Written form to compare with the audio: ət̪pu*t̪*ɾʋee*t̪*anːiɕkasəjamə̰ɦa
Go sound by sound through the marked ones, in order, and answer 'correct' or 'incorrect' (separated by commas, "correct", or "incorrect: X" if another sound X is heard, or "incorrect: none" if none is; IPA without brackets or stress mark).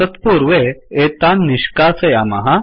incorrect: none, correct